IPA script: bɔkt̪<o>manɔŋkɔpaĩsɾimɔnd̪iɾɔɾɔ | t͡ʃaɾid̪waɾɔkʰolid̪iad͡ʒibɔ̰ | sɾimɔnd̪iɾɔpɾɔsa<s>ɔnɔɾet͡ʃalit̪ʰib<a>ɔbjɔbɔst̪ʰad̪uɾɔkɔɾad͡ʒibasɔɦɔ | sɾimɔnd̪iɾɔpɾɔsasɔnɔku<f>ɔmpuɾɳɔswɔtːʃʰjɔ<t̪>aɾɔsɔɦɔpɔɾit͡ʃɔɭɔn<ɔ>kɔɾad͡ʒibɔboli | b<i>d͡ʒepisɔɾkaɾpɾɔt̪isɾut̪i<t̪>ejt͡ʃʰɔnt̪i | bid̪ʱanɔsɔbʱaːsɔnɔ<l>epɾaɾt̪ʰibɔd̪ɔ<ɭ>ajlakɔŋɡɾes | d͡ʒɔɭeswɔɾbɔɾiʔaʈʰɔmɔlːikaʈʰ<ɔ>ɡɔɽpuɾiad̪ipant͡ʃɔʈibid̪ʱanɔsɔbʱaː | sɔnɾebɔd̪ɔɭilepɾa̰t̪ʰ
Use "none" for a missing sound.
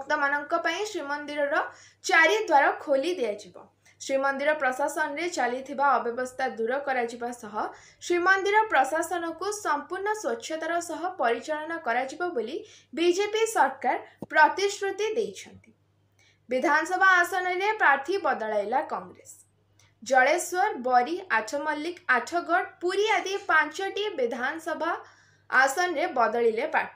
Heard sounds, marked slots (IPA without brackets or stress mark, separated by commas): ɔ, s, a, s, t̪, ɔ, i, d̪, ɾ, ɭ, ɔ